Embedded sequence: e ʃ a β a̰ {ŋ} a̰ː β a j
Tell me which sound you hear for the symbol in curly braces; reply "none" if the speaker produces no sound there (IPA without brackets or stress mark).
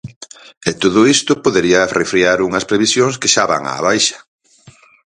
ŋ